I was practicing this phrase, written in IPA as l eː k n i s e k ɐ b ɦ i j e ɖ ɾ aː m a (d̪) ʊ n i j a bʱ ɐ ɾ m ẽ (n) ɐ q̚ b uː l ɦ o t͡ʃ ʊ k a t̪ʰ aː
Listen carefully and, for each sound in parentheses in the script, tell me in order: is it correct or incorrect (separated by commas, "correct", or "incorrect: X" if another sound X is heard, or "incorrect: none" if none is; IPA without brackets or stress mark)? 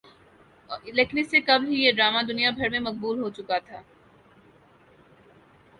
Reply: correct, incorrect: m